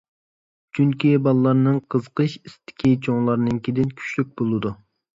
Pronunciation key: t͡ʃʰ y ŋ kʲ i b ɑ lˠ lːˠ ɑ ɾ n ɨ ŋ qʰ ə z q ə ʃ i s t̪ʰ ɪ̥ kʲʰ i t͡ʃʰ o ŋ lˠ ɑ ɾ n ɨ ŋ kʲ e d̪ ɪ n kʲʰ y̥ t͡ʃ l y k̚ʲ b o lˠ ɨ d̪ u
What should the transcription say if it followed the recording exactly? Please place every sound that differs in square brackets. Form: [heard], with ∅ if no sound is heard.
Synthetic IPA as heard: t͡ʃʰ y ŋ kʲ i b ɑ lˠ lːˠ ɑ ɾ n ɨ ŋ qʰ ə z q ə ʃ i s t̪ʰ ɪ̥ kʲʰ i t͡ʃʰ o ŋ lˠ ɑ ɾ n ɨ ŋ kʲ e d̪ ɪ n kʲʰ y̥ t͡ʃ l y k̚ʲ b o lˠ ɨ d̪ u